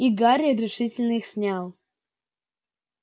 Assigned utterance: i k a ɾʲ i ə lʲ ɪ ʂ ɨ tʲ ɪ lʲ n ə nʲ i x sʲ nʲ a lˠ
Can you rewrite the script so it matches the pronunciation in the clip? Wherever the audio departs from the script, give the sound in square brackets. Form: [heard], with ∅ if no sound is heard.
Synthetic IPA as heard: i [ɡ] a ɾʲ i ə [ɾʲ] ɪ ʂ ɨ tʲ ɪ lʲ n ə [∅] i x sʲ nʲ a lˠ